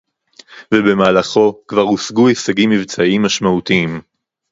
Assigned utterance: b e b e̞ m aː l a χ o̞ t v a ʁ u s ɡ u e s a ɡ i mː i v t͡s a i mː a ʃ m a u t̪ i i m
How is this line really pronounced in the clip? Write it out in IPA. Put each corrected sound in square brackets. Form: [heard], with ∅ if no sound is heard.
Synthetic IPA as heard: [v] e b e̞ m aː l a χ o̞ [k] v a ʁ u s ɡ u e s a ɡ i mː i v t͡s a i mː a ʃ m a u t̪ i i m